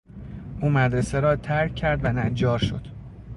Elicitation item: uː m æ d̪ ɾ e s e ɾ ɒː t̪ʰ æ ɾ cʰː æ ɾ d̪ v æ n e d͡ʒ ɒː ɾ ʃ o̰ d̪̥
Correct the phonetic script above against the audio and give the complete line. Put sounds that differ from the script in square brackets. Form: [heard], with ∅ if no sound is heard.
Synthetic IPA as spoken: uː m æ d̪ ɾ e s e ɾ ɒː t̪ʰ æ ɾ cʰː æ ɾ d̪ v æ n [æ] d͡ʒ ɒː ɾ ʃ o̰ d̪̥